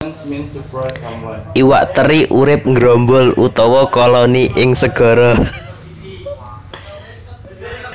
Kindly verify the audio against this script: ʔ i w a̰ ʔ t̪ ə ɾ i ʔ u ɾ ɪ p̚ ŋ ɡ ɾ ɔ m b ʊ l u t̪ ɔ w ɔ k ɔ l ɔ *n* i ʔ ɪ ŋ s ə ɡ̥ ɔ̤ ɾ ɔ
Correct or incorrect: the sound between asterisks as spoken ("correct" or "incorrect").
correct